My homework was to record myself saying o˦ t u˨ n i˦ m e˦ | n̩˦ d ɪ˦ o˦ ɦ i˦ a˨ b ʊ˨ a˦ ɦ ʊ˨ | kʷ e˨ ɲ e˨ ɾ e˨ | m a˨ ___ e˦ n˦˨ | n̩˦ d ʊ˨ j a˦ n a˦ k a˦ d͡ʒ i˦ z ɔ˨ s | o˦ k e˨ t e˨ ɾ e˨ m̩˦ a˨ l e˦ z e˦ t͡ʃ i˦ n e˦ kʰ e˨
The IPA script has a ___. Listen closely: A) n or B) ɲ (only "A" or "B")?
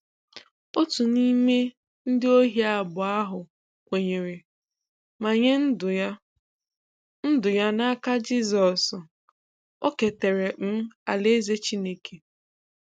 B